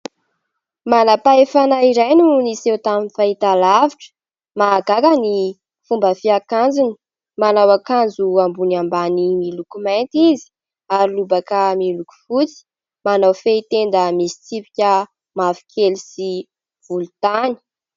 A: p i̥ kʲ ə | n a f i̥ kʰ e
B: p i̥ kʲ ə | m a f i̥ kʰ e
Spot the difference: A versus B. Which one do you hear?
B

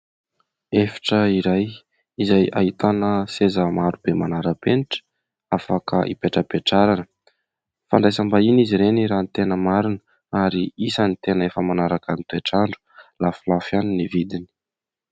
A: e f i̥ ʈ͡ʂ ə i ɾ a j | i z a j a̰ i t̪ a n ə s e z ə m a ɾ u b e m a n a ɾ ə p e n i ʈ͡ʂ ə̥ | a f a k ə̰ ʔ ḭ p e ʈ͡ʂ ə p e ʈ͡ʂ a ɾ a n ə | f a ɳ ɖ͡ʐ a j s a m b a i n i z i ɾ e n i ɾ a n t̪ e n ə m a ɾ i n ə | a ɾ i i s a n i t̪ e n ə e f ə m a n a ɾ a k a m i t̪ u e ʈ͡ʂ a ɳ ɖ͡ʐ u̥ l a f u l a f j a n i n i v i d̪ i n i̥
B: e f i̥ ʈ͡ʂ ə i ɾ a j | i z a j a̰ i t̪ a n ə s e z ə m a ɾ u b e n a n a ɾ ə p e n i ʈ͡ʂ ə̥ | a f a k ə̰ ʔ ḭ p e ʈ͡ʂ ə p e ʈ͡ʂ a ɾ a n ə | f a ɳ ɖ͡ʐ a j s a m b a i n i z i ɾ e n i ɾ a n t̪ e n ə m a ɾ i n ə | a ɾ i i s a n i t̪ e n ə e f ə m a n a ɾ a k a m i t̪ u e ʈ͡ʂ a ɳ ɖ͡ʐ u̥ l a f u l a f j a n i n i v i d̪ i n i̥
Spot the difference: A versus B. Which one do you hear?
A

